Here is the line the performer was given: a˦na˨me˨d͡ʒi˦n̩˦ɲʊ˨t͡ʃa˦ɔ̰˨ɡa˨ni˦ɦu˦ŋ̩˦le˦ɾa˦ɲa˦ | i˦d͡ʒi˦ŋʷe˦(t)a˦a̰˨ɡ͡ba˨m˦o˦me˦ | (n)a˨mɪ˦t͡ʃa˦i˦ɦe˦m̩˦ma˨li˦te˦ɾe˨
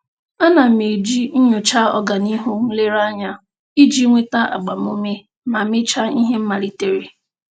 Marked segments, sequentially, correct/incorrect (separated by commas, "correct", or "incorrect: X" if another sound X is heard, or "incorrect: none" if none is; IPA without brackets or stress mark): correct, incorrect: m